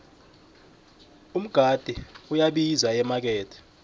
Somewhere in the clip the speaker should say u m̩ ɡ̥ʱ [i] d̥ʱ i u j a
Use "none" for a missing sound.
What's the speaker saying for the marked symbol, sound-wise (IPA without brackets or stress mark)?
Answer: a